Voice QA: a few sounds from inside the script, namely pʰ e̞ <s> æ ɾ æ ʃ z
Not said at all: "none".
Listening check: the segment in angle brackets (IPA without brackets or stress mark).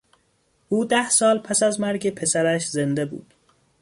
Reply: s